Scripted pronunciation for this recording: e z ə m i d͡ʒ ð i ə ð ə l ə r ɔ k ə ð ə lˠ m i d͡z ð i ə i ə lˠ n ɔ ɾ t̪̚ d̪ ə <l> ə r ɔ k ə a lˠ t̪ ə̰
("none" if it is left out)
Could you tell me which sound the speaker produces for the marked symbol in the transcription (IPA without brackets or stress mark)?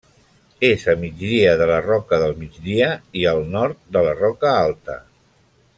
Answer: l